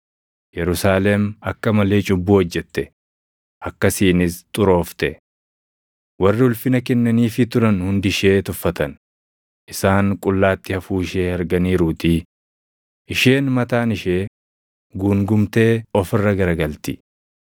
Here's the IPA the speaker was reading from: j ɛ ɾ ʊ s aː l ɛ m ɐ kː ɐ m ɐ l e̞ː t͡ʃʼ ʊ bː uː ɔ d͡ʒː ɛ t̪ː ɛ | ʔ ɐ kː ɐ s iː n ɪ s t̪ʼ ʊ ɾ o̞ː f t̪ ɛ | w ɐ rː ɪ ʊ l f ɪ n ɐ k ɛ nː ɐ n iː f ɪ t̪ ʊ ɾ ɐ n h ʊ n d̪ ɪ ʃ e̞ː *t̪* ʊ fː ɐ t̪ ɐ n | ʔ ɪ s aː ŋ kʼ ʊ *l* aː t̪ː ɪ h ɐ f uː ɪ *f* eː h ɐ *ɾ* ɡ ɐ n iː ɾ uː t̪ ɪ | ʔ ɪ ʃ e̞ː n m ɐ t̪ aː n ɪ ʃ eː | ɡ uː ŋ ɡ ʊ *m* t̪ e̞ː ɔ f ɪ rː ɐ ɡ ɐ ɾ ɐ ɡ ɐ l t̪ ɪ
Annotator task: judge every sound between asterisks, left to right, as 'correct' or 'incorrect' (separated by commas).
correct, incorrect, incorrect, correct, correct